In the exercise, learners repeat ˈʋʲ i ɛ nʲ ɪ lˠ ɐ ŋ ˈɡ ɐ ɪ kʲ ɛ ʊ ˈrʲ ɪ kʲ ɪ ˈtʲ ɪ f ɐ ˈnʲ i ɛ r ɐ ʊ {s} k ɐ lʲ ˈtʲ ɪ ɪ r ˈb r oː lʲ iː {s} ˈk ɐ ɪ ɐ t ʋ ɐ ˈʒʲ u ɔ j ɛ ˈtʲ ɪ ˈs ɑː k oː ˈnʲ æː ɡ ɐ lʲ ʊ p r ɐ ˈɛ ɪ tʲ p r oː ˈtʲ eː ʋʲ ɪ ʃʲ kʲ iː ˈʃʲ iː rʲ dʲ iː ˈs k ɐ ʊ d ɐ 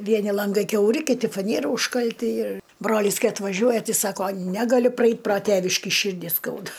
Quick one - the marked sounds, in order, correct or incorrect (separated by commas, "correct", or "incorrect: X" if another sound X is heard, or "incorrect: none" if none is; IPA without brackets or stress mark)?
incorrect: ʃ, correct